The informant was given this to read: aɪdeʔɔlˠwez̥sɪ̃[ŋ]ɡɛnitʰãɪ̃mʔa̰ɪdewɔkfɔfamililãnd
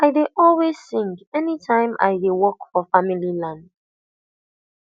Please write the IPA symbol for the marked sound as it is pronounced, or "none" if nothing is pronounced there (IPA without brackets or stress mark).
ŋ